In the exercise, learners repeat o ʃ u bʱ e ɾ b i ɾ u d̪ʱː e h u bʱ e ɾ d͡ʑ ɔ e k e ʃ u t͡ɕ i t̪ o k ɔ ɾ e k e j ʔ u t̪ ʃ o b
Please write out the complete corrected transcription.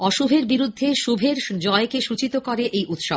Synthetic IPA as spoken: ɔ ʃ u bʱ e ɾ b i ɾ u d̪ʱː e ʃ u bʱ e ɾ d͡ʑ ɔ e k e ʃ u t͡ɕ i t̪ o k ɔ ɾ e ʔ e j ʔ u t̪ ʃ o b